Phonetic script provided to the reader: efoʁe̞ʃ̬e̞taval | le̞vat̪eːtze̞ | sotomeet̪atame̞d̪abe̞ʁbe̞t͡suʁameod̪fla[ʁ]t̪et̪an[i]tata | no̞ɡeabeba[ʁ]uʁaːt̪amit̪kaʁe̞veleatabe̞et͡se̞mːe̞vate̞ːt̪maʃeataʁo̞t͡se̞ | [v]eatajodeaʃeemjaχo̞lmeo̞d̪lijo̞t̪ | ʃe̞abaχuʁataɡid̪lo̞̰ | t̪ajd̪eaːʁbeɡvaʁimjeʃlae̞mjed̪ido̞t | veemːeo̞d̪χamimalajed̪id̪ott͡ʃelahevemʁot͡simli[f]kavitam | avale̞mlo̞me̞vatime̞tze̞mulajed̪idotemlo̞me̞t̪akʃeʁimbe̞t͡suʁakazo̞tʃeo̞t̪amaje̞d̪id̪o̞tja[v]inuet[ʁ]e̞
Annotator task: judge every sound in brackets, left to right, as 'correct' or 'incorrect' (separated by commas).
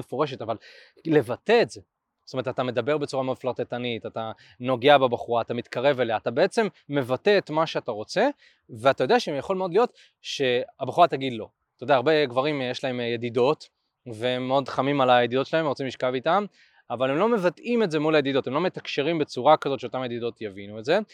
correct, correct, incorrect, correct, incorrect, correct, incorrect